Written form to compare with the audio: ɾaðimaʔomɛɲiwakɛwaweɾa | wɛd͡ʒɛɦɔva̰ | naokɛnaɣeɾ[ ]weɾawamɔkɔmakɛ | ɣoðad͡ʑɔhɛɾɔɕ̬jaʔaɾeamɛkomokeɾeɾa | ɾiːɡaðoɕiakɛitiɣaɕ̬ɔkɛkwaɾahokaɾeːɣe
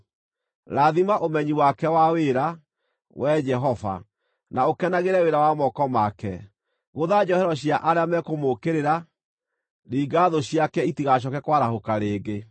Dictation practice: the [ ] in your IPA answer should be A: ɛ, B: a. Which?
A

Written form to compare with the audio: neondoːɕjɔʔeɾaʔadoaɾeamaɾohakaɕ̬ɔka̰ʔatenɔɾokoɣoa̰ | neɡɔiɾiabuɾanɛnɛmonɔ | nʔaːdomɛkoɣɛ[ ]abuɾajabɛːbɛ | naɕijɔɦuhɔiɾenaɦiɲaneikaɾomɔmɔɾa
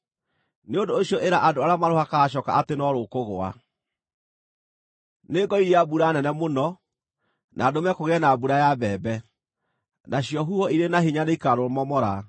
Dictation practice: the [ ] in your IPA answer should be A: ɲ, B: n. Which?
B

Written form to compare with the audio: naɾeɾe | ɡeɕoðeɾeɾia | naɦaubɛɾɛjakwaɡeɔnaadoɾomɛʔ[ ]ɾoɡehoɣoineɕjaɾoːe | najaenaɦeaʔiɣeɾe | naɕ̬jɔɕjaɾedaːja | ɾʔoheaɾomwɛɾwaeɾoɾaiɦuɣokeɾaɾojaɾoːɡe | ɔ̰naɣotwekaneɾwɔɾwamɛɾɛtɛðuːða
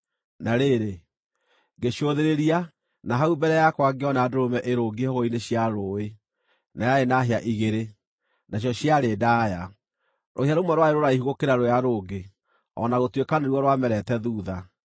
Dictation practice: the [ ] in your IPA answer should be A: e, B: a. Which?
A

